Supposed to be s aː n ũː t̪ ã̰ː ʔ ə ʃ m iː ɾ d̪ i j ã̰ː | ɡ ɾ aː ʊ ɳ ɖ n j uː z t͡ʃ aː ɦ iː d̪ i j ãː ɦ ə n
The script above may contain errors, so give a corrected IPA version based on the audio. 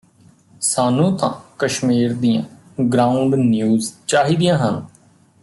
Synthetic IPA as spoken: s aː n ũː t̪ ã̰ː k ə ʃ m iː ɾ d̪ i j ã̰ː | ɡ ɾ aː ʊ ɳ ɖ n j uː z t͡ʃ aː ɦ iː d̪ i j ãː ɦ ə n